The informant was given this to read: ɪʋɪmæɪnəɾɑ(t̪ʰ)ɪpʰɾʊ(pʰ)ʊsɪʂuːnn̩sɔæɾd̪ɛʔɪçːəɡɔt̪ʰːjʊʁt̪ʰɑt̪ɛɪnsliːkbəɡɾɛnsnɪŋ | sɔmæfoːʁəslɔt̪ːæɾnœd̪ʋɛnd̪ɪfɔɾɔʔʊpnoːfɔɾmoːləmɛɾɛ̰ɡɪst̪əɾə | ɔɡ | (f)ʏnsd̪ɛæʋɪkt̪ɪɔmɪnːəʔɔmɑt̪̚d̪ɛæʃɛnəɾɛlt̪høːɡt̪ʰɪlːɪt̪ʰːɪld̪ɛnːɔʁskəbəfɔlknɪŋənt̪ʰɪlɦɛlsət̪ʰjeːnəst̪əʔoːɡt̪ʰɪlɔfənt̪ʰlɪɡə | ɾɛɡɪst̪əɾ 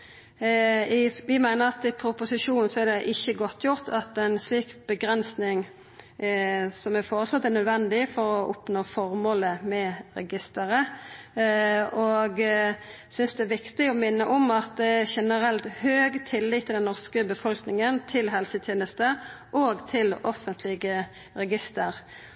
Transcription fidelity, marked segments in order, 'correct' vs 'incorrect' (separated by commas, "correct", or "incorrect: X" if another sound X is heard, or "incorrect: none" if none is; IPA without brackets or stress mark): incorrect: t̪, incorrect: p, incorrect: s